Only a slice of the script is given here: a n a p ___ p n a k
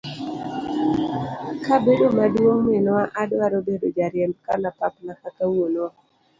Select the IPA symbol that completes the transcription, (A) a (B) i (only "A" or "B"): A